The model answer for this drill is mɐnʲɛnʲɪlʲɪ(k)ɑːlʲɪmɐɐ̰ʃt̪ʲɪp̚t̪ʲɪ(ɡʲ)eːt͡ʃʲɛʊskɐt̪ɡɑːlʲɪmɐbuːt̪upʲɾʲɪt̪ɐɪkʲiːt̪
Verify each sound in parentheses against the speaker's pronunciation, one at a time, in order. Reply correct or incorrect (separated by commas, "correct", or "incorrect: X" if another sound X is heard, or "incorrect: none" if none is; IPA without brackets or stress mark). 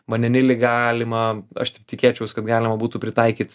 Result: incorrect: ɡ, incorrect: kʲ